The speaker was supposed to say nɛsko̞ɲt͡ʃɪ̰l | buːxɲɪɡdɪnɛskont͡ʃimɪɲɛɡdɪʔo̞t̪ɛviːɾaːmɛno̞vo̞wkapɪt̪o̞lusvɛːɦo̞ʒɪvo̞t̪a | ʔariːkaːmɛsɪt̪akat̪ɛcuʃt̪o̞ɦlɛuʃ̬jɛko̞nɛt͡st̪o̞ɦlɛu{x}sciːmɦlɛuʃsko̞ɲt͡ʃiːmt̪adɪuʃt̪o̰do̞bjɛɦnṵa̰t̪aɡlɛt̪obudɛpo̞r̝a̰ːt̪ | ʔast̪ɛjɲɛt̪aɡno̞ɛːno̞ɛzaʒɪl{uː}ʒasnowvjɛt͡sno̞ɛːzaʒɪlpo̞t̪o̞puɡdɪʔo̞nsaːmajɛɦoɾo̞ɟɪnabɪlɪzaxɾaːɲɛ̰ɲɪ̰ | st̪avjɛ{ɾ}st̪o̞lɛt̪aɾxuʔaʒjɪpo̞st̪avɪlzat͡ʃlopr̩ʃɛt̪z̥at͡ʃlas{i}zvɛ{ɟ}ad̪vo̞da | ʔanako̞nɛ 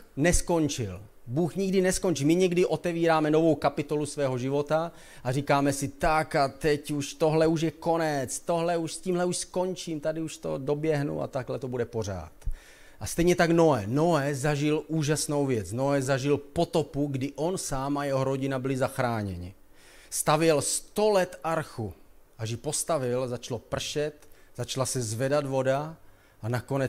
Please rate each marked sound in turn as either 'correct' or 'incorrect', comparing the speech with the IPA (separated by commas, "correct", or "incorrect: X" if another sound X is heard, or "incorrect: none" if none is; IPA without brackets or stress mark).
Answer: incorrect: ʃ, correct, incorrect: l, incorrect: ɛ, incorrect: d